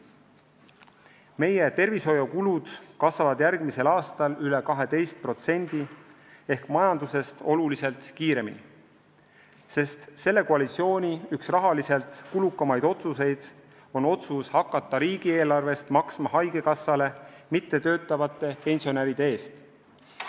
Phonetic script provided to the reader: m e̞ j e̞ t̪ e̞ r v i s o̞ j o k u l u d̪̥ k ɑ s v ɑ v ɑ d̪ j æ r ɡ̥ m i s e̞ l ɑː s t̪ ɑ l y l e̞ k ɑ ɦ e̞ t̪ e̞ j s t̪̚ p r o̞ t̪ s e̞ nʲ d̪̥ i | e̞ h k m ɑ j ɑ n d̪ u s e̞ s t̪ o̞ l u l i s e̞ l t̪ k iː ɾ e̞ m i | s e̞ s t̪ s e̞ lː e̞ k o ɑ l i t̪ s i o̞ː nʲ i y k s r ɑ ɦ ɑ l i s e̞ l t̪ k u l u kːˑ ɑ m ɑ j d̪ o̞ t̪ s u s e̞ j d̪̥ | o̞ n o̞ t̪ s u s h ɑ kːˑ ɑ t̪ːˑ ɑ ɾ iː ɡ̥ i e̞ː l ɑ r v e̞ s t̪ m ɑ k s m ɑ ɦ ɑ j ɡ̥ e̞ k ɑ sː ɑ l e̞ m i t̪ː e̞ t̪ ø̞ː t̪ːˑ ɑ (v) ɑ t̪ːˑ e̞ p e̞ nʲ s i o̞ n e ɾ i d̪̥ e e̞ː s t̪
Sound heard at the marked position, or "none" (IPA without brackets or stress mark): v